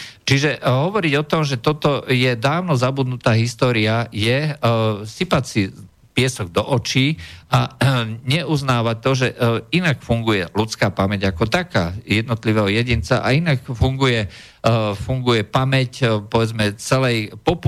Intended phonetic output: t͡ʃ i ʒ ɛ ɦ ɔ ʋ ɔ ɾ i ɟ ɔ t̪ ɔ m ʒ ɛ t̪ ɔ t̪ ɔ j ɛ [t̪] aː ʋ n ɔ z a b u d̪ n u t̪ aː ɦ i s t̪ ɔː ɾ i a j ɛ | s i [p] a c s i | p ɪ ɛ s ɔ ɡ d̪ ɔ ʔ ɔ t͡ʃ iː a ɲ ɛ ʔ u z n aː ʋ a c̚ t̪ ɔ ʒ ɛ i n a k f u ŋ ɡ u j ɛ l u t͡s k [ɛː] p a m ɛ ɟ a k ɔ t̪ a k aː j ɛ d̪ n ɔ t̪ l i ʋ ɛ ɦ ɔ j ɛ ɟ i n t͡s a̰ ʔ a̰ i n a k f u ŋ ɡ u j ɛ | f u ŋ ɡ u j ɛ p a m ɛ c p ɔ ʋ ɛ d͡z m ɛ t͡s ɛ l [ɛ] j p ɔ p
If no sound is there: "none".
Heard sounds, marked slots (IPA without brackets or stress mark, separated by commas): d̪, p, aː, ɛ